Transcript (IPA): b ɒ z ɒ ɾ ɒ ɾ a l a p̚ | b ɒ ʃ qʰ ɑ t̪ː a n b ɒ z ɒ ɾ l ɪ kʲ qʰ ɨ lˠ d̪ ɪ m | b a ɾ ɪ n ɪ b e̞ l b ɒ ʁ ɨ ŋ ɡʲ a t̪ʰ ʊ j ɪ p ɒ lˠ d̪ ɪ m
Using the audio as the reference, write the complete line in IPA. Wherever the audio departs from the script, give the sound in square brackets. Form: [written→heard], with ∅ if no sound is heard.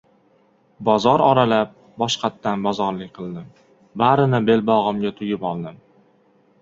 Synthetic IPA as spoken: b ɒ z ɒ ɾ ɒ ɾ a l a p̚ | b ɒ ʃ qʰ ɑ t̪ː a n b ɒ z ɒ ɾ l ɪ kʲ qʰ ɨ lˠ d̪ ɪ m | b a ɾ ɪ n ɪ b e̞ l b ɒ ʁ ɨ [ŋ→m] ɡʲ a t̪ʰ ʊ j ɪ p ɒ lˠ d̪ ɪ m